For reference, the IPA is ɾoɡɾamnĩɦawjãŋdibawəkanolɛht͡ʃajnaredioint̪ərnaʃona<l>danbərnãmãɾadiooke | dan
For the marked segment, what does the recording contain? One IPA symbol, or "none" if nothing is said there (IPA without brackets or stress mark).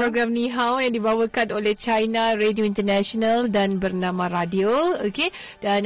l